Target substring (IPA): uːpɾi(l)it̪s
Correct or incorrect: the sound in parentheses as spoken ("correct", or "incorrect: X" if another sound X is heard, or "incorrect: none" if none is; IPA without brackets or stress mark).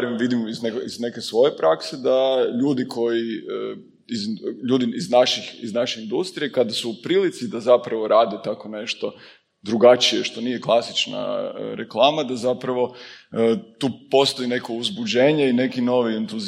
correct